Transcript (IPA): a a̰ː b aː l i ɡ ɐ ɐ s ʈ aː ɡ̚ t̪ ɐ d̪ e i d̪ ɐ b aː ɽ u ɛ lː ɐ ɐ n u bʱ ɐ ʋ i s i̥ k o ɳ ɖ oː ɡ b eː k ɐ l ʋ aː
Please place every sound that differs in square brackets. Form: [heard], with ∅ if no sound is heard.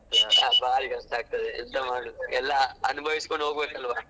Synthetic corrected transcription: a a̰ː b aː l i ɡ ɐ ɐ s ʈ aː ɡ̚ t̪ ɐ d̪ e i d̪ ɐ [m] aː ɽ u ɛ lː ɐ ɐ n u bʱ ɐ ʋ i s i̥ k o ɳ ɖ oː ɡ b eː k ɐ l ʋ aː